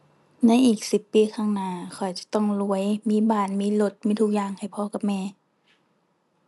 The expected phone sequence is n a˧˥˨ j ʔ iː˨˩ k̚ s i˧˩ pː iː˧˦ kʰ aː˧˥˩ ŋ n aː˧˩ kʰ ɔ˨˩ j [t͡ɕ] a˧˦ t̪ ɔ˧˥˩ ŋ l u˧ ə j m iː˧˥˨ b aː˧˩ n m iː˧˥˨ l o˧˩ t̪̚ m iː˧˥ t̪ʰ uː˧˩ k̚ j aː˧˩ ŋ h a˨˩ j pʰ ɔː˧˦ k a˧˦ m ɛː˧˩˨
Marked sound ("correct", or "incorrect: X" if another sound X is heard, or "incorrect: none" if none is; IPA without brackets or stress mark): correct